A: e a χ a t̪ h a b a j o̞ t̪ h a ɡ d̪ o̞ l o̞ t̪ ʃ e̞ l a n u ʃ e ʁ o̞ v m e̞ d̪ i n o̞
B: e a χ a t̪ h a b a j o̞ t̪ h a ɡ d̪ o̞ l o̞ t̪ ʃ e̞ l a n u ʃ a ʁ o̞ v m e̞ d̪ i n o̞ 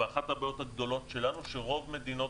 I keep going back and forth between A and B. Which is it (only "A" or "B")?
A